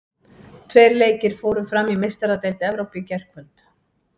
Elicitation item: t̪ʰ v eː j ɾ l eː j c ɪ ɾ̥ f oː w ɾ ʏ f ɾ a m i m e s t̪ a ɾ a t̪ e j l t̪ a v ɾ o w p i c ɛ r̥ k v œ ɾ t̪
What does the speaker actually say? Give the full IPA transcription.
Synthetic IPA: t̪ʰ v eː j ɾ l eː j c ɪ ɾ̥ f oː w ɾ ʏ f ɾ a m i m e s t̪ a ɾ a t̪ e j l t̪ ɛ v ɾ o w p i c ɛ r̥ k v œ l t̪

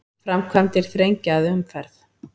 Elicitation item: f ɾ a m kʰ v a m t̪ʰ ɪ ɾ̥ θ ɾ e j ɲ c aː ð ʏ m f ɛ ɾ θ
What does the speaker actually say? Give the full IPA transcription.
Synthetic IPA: f ɾ a m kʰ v a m t̪ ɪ ɾ̥ θ ɾ e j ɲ c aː ð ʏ m f ɛ ɾ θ

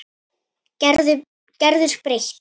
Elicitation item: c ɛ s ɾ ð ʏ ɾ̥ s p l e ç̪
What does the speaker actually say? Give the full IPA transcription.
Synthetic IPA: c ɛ ɾ ð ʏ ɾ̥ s p ɾ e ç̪

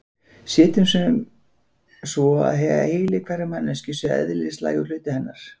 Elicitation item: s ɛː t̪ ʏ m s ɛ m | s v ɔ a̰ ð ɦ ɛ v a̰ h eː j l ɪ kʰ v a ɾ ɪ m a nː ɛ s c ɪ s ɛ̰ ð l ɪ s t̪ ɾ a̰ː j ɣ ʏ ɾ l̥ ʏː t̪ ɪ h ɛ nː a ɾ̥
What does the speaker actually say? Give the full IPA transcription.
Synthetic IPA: s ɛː t̪ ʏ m s ɛ m | s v ɔ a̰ ð ɦ ɛ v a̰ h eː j l ɪ kʰ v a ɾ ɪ m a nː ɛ s c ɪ s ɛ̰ ð l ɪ s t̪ l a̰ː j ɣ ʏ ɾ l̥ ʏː t̪ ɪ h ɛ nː a ɾ̥

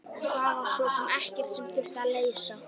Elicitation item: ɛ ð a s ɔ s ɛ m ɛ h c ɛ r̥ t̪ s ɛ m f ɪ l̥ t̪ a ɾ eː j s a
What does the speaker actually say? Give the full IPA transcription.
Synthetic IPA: a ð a s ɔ s ɛ m ɛ h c ɛ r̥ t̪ s ɛ m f ɪ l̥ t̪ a l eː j s a

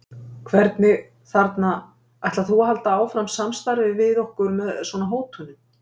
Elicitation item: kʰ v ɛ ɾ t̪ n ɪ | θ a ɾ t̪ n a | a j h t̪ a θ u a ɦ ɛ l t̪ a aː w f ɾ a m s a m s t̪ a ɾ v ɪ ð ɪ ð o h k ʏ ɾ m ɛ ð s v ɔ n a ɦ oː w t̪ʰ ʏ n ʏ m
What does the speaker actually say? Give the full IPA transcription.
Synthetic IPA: kʰ v ɛ ɾ t̪ n ɪ | θ a ɾ t̪ n a | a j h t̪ a θ u a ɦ a l t̪ a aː w f ɾ a m s a m s t̪ a ɾ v ɪ v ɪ ð o h k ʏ ɾ m ɛ ð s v ɔ n a ɦ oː w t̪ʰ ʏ n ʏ m

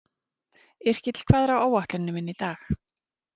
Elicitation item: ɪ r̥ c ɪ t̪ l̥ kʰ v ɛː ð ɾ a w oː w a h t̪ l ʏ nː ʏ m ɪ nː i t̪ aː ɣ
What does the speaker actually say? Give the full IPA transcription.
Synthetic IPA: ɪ r̥ c ɪ t̪ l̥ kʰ v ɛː ð ɾ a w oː w a h t̪ l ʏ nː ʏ m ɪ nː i t̪ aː x

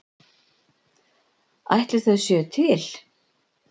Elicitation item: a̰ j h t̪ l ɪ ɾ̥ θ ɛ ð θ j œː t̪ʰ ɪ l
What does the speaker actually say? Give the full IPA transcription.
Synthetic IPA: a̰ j h t̪ l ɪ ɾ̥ θ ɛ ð s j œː t̪ʰ ɪ l

